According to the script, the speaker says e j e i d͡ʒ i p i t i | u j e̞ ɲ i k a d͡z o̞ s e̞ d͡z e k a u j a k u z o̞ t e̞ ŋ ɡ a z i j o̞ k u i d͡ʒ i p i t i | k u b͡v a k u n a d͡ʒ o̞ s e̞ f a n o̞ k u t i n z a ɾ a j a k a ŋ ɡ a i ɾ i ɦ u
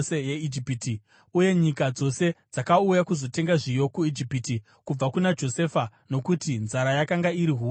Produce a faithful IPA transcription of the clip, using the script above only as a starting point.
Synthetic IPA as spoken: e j e i d͡ʒ i p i t i | u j e̞ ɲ i k a d͡z o̞ s e̞ d͡z a k a u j a k u z o̞ t e̞ ŋ ɡ a ʐ i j o̞ k u i d͡ʒ i p i t i | k u b͡v a k u n a d͡ʒ o̞ s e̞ f a n o̞ k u t i n z a ɾ a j a k a ŋ ɡ a i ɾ i ɦ u